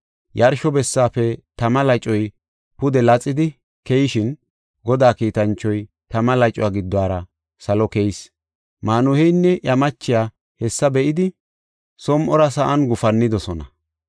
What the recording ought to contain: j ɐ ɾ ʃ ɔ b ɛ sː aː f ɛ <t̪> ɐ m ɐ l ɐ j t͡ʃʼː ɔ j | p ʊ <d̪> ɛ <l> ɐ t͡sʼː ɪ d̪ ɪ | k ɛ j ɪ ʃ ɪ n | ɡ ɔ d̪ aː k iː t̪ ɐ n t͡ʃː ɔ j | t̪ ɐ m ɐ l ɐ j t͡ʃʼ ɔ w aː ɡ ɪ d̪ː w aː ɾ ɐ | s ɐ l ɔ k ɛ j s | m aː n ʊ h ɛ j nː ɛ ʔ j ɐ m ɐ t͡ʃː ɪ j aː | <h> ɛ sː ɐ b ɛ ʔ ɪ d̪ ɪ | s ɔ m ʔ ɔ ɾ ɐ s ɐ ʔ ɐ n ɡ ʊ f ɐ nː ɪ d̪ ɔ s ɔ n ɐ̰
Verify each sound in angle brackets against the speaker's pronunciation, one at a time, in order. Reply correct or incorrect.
correct, correct, correct, correct

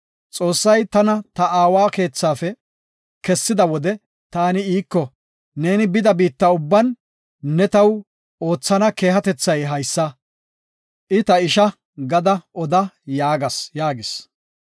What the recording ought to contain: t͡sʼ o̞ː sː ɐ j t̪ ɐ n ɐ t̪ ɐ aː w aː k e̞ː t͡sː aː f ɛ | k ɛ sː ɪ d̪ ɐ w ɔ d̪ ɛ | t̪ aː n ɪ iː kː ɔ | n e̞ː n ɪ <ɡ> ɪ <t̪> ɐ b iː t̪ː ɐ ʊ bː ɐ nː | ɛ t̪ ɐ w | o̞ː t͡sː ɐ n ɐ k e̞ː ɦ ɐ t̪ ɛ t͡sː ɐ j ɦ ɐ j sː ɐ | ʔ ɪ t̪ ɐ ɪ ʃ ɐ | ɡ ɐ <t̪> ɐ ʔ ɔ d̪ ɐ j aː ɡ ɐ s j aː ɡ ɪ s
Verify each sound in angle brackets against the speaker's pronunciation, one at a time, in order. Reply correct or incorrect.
incorrect: b, incorrect: d̪, incorrect: d̪

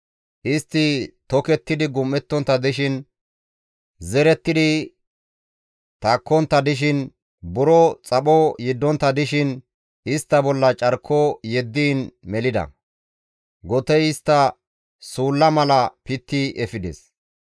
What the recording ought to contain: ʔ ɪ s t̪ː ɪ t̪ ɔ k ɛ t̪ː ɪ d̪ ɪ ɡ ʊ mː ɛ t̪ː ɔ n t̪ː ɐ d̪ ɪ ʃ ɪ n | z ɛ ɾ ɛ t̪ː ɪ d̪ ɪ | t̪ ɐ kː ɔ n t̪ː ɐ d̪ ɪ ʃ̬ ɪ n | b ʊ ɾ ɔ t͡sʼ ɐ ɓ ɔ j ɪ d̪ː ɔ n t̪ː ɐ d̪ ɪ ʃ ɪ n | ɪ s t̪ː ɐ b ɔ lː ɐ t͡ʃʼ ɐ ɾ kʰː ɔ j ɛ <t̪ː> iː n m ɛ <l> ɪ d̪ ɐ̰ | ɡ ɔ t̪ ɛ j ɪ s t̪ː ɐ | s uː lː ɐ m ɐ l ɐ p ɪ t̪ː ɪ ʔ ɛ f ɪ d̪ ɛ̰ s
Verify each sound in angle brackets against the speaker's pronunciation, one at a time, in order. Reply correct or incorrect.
incorrect: d̪ː, correct

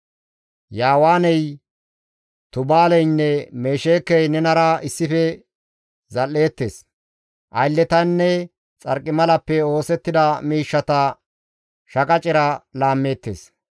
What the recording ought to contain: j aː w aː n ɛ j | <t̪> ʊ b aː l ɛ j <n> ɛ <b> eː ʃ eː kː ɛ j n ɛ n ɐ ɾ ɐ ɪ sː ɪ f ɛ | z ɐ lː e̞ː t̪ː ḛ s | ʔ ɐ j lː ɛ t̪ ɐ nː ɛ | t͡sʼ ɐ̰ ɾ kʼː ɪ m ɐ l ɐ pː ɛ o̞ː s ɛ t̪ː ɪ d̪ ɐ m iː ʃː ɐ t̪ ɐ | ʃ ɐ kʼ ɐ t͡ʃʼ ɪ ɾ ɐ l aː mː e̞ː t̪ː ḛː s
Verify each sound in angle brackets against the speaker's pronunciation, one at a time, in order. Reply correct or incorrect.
correct, incorrect: nː, incorrect: m

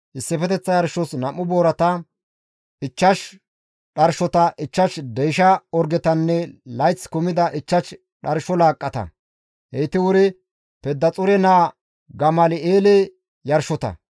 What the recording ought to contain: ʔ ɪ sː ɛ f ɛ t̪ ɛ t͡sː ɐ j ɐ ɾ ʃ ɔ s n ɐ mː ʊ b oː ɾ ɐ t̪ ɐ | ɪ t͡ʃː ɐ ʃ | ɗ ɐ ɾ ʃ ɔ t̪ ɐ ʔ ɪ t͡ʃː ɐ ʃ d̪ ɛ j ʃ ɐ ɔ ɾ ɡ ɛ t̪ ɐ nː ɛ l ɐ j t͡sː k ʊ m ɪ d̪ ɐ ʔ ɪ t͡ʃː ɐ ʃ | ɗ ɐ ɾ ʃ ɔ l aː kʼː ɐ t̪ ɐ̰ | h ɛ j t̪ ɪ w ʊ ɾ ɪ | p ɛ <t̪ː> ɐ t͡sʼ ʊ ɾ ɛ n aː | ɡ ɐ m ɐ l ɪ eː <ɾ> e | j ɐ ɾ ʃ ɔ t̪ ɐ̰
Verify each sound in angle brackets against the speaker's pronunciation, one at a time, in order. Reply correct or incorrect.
incorrect: d̪ː, incorrect: l

